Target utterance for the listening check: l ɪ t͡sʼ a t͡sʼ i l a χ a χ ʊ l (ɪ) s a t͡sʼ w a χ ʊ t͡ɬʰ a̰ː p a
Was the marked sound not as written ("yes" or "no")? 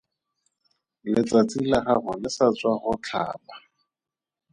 no